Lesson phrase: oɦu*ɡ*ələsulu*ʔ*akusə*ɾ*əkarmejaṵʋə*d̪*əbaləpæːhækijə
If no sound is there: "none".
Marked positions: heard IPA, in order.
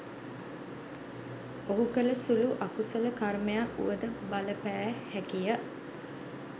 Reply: k, ʔ, l, d̪

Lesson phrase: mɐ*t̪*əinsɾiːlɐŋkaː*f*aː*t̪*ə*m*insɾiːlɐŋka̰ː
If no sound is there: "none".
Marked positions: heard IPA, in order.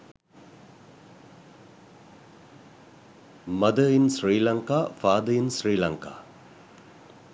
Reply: d̪, f, d̪, none

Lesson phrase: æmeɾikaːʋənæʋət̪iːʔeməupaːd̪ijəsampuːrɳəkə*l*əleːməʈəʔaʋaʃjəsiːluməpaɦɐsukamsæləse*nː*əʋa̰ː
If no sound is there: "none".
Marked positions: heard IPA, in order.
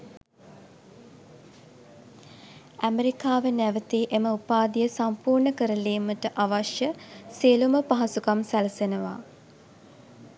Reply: ɾ, n

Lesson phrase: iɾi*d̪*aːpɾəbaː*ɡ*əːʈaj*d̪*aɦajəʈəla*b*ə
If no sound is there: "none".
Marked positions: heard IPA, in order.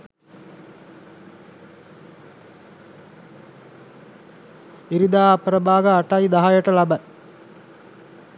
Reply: d̪, ɡ, d̪, b

